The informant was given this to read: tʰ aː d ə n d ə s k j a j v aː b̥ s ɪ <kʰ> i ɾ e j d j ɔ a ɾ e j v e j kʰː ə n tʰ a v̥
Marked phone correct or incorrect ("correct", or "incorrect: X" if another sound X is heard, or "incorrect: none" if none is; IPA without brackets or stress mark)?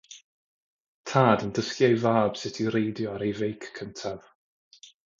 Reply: incorrect: tʰ